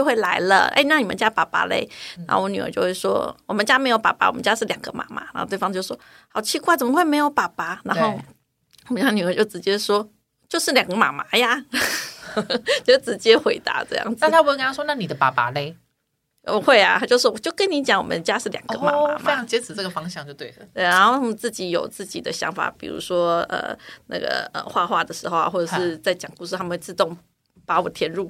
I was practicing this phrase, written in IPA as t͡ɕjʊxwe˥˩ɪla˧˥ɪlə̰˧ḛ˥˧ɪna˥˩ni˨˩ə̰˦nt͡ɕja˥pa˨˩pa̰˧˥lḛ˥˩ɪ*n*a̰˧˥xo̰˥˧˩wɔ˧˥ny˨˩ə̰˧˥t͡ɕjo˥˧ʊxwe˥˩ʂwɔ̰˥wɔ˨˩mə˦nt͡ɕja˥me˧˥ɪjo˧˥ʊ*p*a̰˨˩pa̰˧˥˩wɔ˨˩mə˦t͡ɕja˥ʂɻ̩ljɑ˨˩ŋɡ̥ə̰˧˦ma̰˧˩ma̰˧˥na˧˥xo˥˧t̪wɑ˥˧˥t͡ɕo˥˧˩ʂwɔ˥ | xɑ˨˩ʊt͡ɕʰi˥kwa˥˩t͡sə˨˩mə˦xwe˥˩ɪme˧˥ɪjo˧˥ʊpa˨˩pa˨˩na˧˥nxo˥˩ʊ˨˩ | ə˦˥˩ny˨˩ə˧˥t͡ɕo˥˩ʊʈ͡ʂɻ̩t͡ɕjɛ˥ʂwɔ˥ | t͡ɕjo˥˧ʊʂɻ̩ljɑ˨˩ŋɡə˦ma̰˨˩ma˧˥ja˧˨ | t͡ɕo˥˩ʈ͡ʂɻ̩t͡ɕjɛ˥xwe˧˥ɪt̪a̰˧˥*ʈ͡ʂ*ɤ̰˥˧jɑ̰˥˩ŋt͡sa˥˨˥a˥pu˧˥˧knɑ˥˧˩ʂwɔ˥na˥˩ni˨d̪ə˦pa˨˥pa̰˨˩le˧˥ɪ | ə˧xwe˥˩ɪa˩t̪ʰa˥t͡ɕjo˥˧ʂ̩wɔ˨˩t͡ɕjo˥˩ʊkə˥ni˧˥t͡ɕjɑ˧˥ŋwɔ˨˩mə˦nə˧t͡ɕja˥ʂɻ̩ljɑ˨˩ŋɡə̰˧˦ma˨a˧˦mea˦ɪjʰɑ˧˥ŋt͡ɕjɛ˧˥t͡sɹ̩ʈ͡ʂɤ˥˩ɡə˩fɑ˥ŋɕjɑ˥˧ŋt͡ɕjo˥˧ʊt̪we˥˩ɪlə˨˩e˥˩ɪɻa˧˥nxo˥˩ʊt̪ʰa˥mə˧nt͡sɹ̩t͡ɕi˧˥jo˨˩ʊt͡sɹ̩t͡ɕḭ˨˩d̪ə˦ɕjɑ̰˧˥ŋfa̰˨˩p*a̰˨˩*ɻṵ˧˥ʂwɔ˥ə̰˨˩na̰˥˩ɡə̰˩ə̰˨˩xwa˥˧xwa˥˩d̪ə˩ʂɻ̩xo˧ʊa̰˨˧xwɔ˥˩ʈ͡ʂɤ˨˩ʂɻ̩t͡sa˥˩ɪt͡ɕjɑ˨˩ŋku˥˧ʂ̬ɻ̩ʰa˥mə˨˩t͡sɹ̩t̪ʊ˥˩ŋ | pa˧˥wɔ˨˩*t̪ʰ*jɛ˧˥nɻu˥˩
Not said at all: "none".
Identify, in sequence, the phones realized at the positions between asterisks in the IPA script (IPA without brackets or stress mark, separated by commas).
n, p, ʈ͡ʂ, ḭ˨˩, t̪ʰ